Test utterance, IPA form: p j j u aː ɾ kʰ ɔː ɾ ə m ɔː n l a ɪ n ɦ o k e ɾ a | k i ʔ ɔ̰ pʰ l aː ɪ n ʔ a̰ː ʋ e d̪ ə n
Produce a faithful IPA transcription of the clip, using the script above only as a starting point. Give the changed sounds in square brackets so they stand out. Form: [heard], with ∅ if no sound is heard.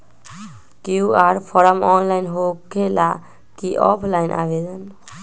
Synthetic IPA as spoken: [k] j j u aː ɾ [pʰ] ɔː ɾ ə m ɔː n l a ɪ n ɦ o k e [l] a | k i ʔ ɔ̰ pʰ l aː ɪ n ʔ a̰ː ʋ e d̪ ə n